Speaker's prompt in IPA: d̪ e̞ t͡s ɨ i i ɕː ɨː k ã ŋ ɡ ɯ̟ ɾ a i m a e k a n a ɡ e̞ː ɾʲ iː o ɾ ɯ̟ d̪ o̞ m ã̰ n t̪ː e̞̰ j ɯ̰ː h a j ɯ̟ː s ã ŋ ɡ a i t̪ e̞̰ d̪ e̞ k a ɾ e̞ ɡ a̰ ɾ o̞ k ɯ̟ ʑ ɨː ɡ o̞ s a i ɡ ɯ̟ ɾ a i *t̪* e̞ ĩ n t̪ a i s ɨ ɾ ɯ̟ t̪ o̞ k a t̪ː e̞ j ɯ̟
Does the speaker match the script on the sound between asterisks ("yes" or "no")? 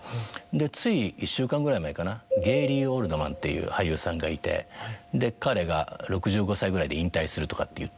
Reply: no